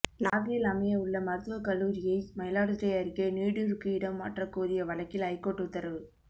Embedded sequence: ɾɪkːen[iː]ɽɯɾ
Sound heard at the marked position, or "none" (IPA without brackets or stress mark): iː